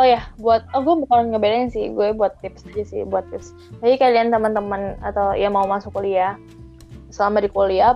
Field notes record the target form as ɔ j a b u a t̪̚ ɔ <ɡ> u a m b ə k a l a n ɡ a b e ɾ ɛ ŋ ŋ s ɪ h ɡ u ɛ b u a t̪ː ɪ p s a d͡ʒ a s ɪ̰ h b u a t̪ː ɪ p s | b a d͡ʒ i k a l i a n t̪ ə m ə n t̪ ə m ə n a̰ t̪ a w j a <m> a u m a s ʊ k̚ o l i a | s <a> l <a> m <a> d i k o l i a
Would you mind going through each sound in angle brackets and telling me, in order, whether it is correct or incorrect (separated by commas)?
correct, correct, incorrect, correct, correct